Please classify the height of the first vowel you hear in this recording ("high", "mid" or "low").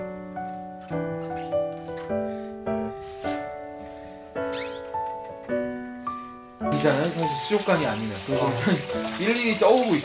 high